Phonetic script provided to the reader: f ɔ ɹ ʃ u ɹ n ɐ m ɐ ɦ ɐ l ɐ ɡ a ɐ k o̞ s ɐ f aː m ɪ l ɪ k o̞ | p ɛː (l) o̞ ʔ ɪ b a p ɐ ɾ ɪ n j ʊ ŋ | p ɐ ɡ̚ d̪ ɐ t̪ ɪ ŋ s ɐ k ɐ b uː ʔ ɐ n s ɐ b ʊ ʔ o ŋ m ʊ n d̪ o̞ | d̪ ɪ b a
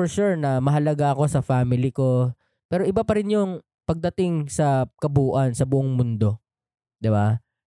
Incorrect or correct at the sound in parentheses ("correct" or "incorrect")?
incorrect